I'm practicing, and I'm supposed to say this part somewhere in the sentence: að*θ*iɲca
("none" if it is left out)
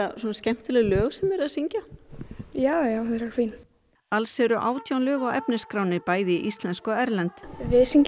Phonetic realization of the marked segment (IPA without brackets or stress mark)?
s